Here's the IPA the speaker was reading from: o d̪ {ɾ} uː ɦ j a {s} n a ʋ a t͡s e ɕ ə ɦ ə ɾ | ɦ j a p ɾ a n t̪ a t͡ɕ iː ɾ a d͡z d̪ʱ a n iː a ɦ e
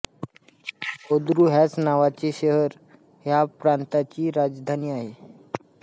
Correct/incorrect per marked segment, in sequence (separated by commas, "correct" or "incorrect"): correct, incorrect